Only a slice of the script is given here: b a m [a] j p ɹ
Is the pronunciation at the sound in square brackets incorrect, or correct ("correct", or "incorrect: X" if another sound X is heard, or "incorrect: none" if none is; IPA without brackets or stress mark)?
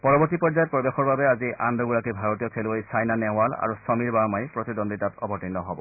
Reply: correct